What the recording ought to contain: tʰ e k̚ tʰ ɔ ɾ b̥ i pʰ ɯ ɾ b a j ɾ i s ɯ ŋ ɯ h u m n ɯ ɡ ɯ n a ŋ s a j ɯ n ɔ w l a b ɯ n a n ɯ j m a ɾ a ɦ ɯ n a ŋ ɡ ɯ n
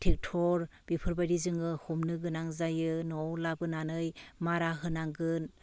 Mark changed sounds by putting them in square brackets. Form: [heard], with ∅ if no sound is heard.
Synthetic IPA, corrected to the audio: tʰ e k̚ tʰ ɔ ɾ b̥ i pʰ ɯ ɾ b a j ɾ i [z] ɯ ŋ ɯ h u m n ɯ ɡ ɯ n a ŋ [z] a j ɯ n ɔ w l a b ɯ n a n ɯ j m a ɾ a ɦ ɯ n a ŋ ɡ ɯ n